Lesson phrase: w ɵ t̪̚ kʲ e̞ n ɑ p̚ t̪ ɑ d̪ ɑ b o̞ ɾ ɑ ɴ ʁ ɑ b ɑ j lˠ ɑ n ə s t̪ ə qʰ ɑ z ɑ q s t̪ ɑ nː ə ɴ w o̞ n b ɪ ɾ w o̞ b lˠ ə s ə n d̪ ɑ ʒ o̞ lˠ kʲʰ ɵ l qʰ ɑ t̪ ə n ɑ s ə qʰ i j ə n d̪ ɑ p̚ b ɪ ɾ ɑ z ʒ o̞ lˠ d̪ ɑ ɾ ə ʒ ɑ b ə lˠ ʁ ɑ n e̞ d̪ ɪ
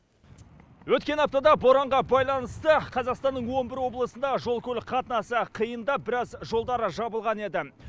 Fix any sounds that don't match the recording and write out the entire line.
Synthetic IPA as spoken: w ɵ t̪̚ kʲ e̞ n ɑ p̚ t̪ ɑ d̪ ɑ b o̞ ɾ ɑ ɴ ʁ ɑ b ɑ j lˠ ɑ n ə s t̪ ə qʰ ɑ z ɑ q s t̪ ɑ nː ə ɴ w o̞ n b ɪ ɾ w o̞ b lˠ ə s ə n d̪ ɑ ʒ o̞ lˠ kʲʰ ɵ l qʰ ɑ t̪ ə n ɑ s ə qʰ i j ə n d̪ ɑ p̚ b ɪ ɾ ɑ z ʒ o̞ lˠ d̪ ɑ ɾ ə ʒ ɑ b ə lˠ ʁ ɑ n e̞ d̪ ɪ